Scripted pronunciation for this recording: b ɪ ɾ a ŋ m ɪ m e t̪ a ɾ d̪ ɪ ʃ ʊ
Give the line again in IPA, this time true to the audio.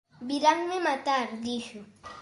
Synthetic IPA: b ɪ ɾ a ŋ m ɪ m a t̪ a ɾ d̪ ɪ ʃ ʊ